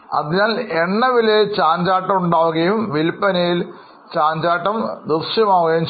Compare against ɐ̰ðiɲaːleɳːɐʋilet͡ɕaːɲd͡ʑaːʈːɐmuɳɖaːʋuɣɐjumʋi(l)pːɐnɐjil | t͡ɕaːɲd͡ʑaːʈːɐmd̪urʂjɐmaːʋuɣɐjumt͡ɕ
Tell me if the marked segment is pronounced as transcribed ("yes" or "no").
yes